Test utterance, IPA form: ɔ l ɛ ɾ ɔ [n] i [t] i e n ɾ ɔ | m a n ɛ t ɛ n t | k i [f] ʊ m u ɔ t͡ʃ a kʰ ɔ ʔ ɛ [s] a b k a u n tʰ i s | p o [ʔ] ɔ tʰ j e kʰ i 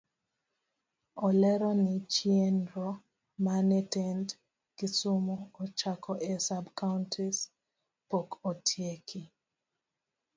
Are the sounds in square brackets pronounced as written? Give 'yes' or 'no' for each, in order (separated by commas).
yes, no, no, yes, no